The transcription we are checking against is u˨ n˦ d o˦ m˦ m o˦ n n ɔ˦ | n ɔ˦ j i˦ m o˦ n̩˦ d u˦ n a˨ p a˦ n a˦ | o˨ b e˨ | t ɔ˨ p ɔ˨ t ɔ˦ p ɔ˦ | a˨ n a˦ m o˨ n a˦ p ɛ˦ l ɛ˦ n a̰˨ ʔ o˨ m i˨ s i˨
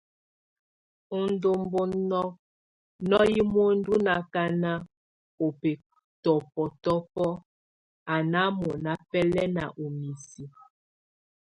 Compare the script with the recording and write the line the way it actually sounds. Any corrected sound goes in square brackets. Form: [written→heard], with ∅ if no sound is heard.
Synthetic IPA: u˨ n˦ d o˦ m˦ [m→b] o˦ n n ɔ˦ | n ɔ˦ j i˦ m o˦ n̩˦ d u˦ n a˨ [p→k] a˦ n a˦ | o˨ [b→p] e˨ | t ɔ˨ p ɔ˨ t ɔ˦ p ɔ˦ | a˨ n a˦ m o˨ n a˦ p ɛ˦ l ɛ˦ n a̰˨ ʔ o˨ m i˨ s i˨